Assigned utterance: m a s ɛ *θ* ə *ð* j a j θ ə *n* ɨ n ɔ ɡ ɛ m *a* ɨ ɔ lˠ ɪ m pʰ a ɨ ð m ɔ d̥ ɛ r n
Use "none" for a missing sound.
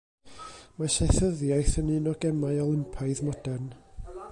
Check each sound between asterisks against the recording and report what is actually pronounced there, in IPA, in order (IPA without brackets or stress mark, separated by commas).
θ, ð, n, a